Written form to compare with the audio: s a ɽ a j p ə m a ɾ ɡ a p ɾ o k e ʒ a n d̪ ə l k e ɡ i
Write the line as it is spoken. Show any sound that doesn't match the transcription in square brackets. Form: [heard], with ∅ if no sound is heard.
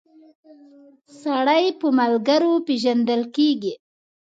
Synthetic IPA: s a ɽ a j p ə m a [l] ɡ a [∅] ɾ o [p] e ʒ a n d̪ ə l k e ɡ i